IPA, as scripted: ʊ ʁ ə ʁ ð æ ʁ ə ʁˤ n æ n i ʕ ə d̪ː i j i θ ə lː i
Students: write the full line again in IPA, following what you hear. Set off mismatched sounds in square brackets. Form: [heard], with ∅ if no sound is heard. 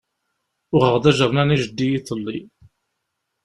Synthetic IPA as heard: ʊ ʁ ə ʁ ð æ [ʒ] ə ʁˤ n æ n i [ʒ] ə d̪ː i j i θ ə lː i

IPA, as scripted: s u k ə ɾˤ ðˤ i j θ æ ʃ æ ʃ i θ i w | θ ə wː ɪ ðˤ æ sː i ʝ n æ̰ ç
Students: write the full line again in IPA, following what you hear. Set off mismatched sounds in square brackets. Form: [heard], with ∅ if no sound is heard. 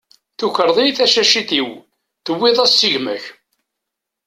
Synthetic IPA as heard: [θ] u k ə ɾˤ ðˤ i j θ æ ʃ æ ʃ i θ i w | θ ə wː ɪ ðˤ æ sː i ʝ [m] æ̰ ç

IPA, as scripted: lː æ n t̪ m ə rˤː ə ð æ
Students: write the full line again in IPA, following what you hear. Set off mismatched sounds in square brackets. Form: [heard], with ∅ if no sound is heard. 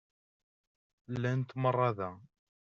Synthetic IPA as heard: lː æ n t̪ m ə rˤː [ɑ] ð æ

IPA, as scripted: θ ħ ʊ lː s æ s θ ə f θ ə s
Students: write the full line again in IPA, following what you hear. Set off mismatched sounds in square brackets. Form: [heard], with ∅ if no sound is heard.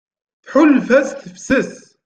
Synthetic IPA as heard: θ ħ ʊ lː [f] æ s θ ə f [s] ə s

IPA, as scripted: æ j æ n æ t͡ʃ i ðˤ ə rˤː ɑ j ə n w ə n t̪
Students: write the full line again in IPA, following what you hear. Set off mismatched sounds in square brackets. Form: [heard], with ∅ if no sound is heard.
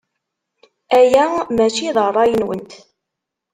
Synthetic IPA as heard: æ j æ [m] æ t͡ʃ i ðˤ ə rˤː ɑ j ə n w ə n t̪

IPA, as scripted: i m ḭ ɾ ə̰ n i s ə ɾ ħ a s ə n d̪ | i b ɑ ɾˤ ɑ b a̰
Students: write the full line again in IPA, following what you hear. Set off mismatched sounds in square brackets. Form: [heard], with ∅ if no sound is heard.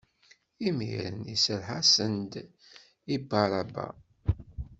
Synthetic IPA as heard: i m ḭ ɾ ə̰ n i s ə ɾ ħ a s ə n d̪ | i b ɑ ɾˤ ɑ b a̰

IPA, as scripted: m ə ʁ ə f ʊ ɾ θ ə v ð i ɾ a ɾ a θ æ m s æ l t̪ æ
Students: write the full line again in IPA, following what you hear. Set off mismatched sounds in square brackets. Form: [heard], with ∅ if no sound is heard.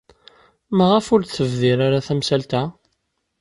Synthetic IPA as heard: m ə ʁ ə f ʊ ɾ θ ə v ð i ɾ a ɾ a θ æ m s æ l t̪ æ

